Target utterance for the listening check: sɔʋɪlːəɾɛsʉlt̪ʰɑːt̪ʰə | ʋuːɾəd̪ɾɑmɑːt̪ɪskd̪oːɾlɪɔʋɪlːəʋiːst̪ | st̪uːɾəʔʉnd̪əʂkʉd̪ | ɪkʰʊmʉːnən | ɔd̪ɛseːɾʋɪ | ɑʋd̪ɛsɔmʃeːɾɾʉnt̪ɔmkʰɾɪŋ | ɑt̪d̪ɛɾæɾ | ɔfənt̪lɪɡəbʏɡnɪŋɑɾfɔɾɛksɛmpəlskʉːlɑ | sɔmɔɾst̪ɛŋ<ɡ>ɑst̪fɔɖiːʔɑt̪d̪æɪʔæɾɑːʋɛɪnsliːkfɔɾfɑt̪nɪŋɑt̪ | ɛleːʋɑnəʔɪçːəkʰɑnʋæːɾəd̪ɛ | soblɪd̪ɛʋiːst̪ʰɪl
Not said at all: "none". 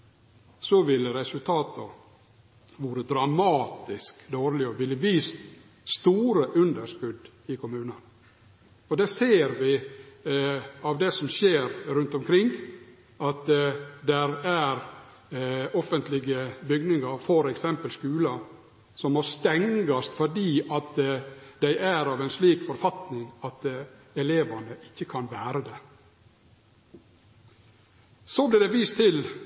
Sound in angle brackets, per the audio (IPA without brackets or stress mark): ɡ